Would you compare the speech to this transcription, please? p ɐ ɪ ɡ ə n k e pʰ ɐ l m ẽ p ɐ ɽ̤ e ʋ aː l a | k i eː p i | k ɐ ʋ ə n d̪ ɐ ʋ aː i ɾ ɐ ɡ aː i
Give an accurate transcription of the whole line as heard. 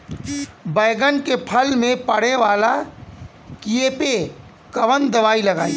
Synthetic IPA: b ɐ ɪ ɡ ə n k e pʰ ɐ l m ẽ p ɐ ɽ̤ e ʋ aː l a | k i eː p e | k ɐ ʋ ə n d̪ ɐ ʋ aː i l ɐ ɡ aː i

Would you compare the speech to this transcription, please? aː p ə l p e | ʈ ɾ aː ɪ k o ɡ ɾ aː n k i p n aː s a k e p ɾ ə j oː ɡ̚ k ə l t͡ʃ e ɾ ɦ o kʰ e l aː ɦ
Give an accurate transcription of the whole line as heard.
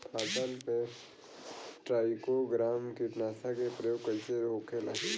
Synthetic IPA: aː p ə l p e | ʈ ɾ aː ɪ k o ɡ ɾ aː m k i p n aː s a k e p ɾ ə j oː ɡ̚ k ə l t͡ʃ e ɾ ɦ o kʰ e l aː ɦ

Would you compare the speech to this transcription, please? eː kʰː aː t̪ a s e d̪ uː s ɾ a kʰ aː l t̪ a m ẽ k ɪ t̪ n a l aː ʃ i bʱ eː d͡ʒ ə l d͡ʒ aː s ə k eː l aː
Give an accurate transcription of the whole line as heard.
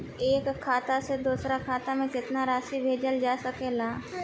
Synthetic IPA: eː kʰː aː t̪ a s e d̪ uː s ɾ a kʰ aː t̪ a m ẽ k ɪ t̪ n a ɾ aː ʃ i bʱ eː d͡ʒ ə l d͡ʒ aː s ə k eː l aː

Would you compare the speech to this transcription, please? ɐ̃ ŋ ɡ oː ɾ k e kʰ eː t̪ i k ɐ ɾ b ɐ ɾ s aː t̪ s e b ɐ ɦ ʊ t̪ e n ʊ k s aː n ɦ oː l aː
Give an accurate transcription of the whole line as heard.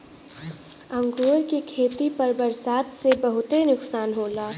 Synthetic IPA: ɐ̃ ŋ ɡ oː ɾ k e kʰ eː t̪ i p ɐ ɾ b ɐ ɾ s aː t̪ s e b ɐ ɦ ʊ t̪ e n ʊ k s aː n ɦ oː l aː

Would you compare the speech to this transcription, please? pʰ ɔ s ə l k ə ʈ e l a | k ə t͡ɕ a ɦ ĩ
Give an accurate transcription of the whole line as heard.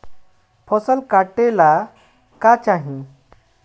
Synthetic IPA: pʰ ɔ s ə l k a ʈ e l a | k a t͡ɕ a ɦ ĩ

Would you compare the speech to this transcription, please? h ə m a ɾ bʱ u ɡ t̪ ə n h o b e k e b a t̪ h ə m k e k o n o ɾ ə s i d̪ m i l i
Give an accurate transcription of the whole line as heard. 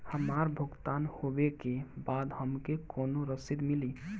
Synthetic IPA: h ə m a ɾ bʱ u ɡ t̪ a n h o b e k e b a d̪ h ə m k e k o n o ɾ ə s i d̪ m i l i

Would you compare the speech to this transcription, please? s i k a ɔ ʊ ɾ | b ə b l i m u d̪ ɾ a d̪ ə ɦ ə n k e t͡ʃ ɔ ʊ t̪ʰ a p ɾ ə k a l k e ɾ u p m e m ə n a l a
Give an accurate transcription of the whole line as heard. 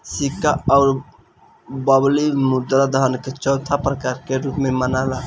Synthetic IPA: s i k a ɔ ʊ ɾ | b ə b l i m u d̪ ɾ a d̪ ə ɦ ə n k e t͡ʃ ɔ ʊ t̪ʰ a p ɾ ə k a ɾ k e ɾ u p m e m ə n a l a

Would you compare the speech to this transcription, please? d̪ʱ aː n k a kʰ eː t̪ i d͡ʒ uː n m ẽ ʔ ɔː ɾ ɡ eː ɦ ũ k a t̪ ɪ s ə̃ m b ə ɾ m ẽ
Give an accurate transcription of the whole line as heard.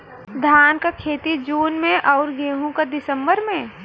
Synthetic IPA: d̪ʱ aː n k a kʰ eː t̪ i d͡ʒ uː n m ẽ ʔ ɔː ɾ ɡ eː ɦ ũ k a d̪ ɪ s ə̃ m b ə ɾ m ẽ

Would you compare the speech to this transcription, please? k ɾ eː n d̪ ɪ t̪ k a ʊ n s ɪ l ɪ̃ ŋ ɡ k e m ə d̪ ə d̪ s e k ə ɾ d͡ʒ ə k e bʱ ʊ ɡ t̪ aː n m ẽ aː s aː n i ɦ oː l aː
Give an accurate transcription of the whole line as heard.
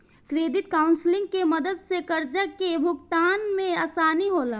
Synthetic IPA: k ɾ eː d̪ ɪ t̪ k a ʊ n s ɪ l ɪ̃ ŋ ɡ k e m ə d̪ ə d̪ s e k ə ɾ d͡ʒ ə k e bʱ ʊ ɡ t̪ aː n m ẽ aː s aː n i ɦ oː l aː

